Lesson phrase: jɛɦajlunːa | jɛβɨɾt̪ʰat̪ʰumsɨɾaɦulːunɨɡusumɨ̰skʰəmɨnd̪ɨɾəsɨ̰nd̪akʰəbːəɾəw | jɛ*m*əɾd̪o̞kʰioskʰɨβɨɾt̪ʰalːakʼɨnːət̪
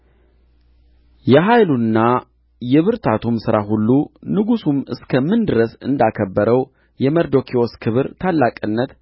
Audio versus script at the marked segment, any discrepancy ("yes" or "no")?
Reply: no